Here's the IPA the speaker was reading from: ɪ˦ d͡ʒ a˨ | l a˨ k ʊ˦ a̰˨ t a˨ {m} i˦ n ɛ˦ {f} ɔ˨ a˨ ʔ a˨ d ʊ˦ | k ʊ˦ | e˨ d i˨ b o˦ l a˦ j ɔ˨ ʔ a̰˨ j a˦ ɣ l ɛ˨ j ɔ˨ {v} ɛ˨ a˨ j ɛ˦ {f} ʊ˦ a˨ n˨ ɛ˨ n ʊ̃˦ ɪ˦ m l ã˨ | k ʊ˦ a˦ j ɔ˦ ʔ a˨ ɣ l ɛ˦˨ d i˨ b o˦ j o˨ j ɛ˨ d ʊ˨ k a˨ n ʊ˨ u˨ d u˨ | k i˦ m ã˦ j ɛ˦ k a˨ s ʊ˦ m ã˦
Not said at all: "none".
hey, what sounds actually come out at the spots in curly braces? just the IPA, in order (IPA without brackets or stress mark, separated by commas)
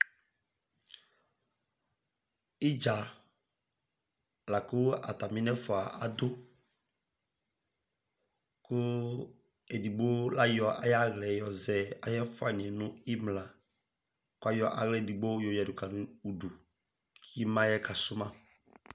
m, f, z, f